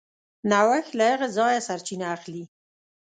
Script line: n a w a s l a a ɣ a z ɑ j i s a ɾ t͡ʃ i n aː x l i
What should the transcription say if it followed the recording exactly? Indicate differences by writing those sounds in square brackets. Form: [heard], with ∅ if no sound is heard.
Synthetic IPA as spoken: n a w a [x] l a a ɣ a z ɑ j [a] s a ɾ t͡ʃ i n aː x l i